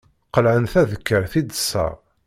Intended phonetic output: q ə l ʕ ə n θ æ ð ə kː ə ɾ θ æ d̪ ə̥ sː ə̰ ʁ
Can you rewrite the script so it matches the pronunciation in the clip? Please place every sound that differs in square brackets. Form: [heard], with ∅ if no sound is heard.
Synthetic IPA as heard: q ə l ʕ ə n θ æ ð ə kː ə ɾ θ [i] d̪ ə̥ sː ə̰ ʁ